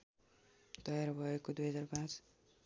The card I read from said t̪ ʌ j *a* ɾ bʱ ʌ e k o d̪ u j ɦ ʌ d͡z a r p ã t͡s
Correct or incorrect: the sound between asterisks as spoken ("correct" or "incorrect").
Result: correct